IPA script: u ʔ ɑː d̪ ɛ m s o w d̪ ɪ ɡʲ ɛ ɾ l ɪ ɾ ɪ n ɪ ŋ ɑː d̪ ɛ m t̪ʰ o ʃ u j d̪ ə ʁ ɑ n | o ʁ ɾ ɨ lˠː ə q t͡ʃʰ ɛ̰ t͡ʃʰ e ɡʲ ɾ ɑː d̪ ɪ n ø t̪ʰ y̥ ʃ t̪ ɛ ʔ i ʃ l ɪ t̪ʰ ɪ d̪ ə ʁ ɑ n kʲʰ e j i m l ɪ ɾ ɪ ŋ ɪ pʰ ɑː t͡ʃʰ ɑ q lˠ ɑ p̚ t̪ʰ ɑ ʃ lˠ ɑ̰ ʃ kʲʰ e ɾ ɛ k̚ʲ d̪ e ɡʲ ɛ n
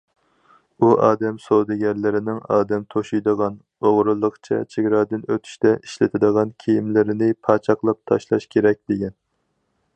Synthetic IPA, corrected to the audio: u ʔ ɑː d̪ ɛ m s o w d̪ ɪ ɡʲ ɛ ɾ l ɪ ɾ ɪ n ɪ ŋ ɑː d̪ ɛ m t̪ʰ o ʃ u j d̪ ə ʁ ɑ n | o ʁ ɾ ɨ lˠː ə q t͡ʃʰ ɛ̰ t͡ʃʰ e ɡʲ ɾ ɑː d̪ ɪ n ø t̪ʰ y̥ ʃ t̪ ɛ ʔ i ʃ l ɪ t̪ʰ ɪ d̪ ə ʁ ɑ n kʲʰ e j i m l ɪ ɾ ɪ n ɪ pʰ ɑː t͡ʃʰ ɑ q lˠ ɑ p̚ t̪ʰ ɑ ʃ lˠ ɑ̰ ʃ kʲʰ e ɾ ɛ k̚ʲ d̪ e ɡʲ ɛ n